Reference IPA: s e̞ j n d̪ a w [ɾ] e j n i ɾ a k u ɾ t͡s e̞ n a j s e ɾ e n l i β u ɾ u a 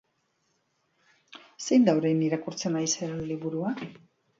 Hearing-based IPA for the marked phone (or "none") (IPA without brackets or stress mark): ɾ